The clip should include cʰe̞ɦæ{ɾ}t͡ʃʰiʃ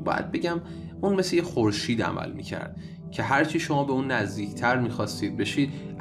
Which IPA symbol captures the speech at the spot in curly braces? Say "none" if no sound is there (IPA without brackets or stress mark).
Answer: ɾ